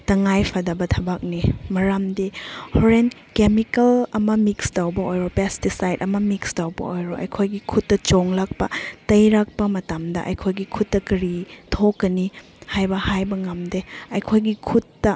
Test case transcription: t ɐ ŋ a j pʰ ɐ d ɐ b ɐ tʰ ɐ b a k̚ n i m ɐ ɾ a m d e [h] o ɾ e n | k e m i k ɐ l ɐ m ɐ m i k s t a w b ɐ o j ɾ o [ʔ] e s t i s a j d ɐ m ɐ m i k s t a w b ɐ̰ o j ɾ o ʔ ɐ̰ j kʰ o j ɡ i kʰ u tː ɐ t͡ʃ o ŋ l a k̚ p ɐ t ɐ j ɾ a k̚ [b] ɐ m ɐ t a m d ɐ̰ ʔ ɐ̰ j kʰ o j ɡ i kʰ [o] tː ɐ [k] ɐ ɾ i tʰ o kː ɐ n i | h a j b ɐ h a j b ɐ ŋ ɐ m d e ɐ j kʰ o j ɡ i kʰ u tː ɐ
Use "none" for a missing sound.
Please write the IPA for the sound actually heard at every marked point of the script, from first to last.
h, p, p, u, k

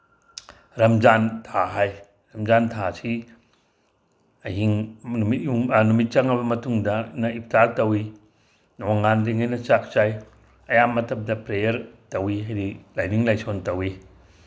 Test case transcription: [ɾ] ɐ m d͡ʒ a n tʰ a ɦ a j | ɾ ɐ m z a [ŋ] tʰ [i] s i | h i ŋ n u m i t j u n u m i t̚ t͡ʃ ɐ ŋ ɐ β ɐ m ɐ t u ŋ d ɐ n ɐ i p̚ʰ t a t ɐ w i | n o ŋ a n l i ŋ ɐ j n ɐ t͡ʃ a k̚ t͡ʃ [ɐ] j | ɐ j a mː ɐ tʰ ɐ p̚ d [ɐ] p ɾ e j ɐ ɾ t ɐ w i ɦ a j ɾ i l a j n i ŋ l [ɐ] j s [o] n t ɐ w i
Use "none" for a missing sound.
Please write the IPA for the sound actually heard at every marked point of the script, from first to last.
ɾ, n, a, a, ɐ, a, o

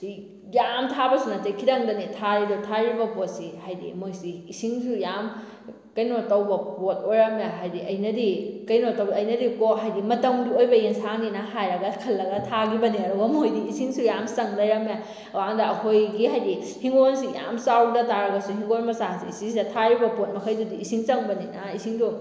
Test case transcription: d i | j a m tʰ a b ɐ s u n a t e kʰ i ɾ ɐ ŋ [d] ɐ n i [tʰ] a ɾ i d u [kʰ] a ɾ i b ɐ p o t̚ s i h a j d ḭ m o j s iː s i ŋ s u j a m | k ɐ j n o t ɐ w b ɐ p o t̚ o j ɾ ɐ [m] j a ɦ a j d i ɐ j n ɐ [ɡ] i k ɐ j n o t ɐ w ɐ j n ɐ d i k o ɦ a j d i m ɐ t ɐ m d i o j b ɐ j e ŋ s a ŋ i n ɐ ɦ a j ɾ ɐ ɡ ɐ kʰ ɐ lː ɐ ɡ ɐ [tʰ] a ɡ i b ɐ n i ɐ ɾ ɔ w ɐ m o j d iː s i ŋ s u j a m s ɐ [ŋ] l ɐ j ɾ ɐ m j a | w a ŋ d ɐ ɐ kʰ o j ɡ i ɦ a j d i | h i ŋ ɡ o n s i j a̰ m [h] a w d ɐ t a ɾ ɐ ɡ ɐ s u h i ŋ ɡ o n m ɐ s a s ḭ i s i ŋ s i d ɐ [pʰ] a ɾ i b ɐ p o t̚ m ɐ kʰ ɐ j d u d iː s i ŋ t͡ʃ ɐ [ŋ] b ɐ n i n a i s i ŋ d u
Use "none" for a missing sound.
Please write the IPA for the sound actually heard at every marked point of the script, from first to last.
d, tʰ, tʰ, m, d, tʰ, ŋ, s, tʰ, ŋ

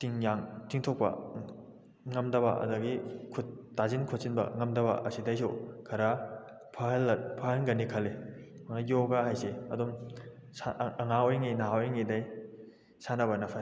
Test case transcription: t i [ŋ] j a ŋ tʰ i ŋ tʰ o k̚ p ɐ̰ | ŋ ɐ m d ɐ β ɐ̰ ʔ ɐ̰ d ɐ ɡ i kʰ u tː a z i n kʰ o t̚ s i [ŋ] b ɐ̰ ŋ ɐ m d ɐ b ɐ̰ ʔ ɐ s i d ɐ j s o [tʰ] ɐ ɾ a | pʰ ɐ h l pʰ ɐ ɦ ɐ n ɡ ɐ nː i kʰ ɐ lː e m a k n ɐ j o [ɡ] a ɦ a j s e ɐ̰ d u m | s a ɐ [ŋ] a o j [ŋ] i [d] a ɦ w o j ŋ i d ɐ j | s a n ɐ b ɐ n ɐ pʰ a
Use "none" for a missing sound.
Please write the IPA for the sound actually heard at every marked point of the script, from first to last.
ŋ, n, kʰ, ɡ, ŋ, ŋ, n

